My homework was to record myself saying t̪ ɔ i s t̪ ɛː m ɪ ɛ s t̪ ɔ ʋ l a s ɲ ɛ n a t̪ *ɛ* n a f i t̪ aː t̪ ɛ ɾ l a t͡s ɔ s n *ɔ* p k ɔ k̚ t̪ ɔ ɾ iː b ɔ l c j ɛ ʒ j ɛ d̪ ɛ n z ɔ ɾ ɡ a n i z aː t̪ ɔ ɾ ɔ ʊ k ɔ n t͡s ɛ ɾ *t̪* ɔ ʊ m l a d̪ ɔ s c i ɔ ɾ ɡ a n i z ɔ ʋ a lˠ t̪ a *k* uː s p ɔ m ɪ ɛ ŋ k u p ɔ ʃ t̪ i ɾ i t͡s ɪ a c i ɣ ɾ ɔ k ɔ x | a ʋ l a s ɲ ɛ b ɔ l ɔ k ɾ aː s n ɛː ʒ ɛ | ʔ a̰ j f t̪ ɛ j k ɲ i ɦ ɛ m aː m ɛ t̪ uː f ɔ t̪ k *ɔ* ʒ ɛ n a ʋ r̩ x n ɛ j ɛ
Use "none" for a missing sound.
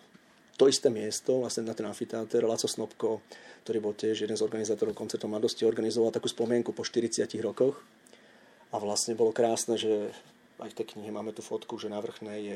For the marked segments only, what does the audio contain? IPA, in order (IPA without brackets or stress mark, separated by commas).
ɛ, ɔ, t̪, k, u